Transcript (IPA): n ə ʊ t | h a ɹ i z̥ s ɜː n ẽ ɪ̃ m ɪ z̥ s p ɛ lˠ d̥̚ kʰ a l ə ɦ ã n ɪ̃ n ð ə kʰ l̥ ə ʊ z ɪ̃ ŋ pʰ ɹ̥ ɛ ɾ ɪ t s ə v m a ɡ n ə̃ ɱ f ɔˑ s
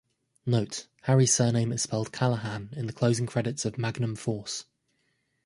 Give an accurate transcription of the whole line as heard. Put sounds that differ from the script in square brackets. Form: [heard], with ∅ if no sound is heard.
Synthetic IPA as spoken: n ə ʊ t | h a ɹ i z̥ s ɜː n ẽ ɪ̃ m ɪ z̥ s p ɛ lˠ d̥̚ kʰ a l ə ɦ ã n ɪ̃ n ð ə kʰ l̥ ə ʊ z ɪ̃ ŋ [kʰ] ɹ̥ ɛ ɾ ɪ t s ə v m a ɡ n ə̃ ɱ f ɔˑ s